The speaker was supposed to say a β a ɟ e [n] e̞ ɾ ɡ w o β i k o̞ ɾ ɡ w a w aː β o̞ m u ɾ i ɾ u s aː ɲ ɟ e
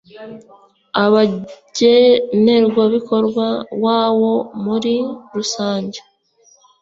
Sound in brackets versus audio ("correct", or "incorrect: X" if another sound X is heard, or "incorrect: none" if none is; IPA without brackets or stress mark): correct